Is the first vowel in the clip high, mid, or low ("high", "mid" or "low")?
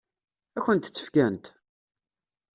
low